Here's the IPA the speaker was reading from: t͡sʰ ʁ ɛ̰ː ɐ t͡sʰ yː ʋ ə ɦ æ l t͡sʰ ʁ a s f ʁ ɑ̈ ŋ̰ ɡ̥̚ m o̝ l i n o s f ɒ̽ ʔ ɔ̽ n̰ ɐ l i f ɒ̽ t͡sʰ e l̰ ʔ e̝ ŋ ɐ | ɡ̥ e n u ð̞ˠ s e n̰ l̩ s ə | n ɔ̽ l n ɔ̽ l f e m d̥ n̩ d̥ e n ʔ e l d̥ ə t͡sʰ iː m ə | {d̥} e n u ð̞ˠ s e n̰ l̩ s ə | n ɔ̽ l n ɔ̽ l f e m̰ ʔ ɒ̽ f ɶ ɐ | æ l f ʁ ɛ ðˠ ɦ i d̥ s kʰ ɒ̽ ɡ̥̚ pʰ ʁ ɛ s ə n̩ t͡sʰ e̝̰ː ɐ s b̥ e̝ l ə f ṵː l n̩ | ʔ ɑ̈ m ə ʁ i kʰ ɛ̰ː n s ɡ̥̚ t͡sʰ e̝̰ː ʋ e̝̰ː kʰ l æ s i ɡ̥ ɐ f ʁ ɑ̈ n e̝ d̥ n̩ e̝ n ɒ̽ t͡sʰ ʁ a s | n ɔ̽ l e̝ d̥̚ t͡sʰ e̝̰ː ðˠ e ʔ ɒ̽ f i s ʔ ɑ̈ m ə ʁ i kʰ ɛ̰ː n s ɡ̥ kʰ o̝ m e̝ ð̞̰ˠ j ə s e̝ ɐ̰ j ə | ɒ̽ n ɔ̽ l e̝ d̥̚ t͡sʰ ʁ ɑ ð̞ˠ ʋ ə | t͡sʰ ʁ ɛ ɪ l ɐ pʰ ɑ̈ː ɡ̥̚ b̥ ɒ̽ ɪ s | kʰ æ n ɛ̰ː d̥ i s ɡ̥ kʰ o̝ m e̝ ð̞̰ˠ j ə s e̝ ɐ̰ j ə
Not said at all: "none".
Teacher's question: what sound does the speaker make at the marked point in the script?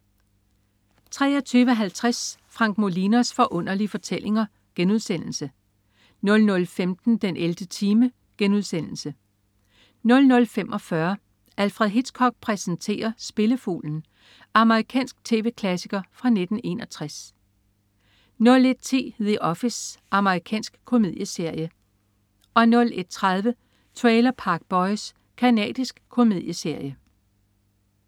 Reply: ɡ̥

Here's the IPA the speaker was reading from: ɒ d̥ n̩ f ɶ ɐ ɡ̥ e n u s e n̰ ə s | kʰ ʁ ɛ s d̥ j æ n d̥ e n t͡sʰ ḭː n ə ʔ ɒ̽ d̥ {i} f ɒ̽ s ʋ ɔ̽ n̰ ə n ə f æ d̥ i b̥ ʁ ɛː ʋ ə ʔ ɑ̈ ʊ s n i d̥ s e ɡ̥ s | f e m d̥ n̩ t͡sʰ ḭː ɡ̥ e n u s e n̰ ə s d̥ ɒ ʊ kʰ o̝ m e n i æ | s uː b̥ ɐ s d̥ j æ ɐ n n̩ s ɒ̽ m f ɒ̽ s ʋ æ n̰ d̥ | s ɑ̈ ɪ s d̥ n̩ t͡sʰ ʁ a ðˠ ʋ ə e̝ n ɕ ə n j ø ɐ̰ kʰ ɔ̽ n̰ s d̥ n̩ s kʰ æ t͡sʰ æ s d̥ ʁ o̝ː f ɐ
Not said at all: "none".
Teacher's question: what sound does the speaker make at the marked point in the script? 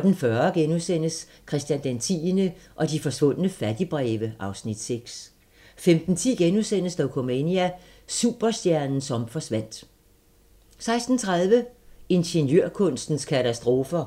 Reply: i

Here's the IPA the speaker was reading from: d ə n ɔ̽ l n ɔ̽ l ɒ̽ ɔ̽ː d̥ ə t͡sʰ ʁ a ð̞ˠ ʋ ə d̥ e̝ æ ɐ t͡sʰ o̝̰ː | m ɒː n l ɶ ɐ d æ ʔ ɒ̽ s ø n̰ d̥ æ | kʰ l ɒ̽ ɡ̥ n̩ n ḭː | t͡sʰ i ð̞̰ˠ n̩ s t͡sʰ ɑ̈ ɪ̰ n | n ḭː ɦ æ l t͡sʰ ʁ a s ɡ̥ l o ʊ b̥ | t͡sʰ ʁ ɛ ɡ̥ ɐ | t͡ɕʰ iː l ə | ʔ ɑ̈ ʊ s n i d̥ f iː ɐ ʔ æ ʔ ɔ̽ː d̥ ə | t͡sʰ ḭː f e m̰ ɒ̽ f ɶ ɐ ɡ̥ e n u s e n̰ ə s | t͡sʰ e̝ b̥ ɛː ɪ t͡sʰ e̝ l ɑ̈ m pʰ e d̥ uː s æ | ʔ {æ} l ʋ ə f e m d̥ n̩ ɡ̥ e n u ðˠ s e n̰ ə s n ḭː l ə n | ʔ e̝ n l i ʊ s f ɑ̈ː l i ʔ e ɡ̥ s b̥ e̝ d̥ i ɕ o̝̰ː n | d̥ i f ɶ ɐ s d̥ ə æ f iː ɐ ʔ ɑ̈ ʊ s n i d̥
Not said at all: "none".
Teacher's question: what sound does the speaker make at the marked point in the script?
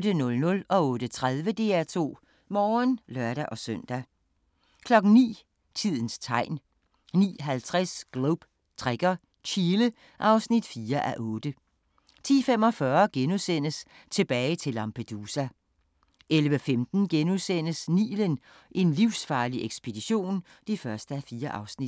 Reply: e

